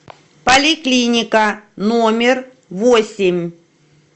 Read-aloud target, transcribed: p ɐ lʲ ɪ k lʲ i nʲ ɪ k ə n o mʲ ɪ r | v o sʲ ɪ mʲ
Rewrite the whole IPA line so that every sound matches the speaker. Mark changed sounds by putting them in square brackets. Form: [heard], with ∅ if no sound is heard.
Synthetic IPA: p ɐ lʲ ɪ k lʲ i nʲ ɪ k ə n o mʲ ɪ r | v o sʲ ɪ mʲ